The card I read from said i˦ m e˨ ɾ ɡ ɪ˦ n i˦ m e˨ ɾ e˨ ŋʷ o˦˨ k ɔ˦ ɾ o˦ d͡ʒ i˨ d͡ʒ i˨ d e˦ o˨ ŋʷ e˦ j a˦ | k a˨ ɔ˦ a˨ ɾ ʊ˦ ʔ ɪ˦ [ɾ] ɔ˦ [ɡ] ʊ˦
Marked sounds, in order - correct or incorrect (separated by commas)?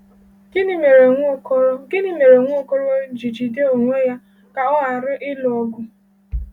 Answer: incorrect, correct